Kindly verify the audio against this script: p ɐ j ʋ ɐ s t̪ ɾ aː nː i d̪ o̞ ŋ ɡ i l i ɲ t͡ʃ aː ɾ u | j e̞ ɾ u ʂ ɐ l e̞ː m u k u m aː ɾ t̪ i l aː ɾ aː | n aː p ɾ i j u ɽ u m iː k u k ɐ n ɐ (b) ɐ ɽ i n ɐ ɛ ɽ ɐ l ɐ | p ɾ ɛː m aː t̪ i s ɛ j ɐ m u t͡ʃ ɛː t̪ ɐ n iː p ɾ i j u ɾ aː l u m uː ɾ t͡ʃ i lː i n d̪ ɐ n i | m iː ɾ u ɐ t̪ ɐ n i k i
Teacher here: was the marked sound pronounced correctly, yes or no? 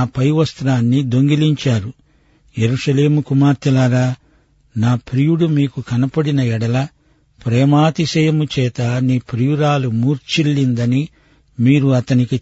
no